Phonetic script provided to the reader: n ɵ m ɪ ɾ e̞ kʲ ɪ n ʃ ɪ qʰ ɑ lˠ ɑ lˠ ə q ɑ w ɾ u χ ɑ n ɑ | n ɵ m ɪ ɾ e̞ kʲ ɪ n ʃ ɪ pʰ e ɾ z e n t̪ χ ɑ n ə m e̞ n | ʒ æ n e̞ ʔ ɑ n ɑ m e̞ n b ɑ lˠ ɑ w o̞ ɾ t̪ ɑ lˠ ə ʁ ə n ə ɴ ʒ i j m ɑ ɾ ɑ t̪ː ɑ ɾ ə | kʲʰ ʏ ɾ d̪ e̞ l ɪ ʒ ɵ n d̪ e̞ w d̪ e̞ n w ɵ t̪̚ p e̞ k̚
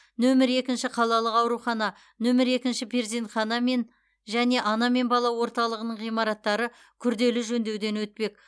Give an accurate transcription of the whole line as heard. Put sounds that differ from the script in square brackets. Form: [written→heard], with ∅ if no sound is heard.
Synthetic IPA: n ɵ m ɪ ɾ e̞ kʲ ɪ n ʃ ɪ qʰ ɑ lˠ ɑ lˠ ə q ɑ w ɾ u χ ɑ n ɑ | n ɵ m ɪ ɾ e̞ kʲ ɪ n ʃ ɪ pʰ e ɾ z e n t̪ χ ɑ n [ə→ɑ] m e̞ n | ʒ æ n e̞ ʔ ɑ n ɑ m e̞ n b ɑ lˠ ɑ w o̞ ɾ t̪ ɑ lˠ ə ʁ ə n ə ɴ [ʒ→ʁ] i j m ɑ ɾ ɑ t̪ː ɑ ɾ ə | kʲʰ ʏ ɾ d̪ e̞ l ɪ ʒ ɵ n d̪ e̞ w d̪ e̞ n w ɵ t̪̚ p e̞ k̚